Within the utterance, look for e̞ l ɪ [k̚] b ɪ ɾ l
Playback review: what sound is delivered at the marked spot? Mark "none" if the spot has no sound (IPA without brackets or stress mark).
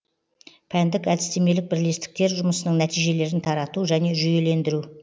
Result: k̚